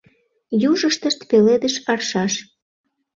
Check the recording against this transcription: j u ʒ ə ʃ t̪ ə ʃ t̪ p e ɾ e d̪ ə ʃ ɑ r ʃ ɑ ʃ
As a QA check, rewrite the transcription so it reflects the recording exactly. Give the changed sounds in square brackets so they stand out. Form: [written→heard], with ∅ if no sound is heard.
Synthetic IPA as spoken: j u ʒ ə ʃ t̪ ə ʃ t̪ p e [ɾ→l] e d̪ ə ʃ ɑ r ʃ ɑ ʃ